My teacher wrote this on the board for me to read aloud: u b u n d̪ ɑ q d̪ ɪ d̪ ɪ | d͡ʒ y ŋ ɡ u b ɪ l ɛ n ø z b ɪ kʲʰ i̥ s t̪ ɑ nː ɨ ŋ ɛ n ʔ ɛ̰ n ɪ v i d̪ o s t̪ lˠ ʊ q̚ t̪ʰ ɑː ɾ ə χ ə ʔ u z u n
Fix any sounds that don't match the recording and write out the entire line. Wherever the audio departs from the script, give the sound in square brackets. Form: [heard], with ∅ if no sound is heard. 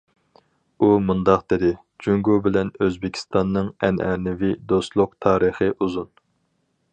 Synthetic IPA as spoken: u [m] u n d̪ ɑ q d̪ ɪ d̪ ɪ | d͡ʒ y ŋ ɡ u b ɪ l ɛ n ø z b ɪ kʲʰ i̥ s t̪ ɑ nː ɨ ŋ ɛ n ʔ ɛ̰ n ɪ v i d̪ o s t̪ lˠ ʊ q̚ t̪ʰ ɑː ɾ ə χ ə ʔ u z u n